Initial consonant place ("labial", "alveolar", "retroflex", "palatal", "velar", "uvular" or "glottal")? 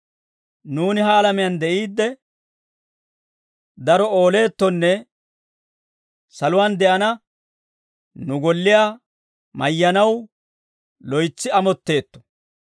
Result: alveolar